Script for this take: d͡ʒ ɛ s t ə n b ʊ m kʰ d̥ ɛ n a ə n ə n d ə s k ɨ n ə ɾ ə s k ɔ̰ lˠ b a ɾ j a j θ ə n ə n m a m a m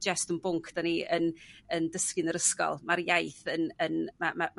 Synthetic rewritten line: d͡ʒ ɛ s t ə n b ʊ ŋ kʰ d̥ a n i ə n ə n d ə s k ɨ n ə ɾ ə s k ɔ̰ lˠ m a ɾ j a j θ ə n ə n m a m a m